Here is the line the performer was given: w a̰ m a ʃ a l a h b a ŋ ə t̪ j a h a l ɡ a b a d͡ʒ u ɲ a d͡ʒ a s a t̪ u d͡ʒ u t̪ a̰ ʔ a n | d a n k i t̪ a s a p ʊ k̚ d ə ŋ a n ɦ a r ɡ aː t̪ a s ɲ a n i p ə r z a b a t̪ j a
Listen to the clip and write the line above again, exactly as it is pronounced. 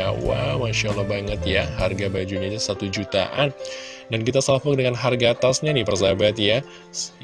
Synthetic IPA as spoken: w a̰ m a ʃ a l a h b a ŋ ə t̪ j a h a r ɡ a b a d͡ʒ u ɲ a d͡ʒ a s a t̪ u d͡ʒ u t̪ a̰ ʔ a n | d a n k i t̪ a s a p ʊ k̚ d ə ŋ a n ɦ a r ɡ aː t̪ a s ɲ a n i p ə r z a b a t̪ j a